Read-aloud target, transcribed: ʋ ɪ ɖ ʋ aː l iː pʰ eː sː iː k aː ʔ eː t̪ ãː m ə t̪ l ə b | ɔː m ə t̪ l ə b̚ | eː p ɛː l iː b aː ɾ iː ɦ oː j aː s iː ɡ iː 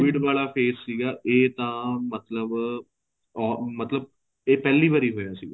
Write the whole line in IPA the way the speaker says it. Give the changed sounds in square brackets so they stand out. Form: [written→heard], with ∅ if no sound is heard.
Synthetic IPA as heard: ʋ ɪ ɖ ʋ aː l [iː→aː] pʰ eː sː iː [k→ɡ] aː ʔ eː t̪ ãː m ə t̪ l ə b | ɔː m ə t̪ l ə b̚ | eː p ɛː l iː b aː ɾ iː ɦ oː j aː s iː ɡ [iː→aː]